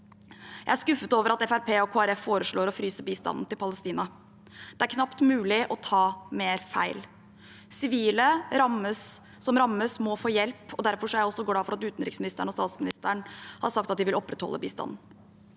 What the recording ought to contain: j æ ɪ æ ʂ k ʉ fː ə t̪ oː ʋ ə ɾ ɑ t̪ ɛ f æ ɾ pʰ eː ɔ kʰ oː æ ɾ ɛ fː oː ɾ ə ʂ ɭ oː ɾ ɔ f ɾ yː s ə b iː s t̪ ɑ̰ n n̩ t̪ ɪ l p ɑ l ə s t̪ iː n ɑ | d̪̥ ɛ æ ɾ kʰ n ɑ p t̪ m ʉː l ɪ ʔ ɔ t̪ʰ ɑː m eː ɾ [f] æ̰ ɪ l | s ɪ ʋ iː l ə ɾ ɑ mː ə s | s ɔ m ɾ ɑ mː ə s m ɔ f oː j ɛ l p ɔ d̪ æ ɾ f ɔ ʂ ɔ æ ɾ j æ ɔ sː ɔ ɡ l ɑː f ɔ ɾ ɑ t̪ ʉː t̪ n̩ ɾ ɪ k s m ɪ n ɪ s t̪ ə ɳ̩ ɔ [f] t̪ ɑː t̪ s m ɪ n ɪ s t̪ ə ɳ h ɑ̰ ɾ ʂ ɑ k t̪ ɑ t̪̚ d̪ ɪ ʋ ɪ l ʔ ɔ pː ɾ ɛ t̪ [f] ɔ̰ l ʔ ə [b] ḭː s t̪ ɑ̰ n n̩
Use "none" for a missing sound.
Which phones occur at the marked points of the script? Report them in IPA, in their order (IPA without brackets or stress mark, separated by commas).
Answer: f, s, h, b